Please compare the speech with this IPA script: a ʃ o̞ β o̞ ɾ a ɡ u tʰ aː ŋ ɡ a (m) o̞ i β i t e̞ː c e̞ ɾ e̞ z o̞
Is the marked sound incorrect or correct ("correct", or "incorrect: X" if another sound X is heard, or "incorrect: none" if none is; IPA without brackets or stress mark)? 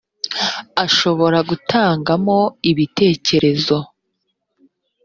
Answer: correct